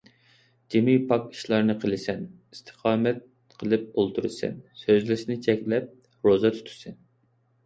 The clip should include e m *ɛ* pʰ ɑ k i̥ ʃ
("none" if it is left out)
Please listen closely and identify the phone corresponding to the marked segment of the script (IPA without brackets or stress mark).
i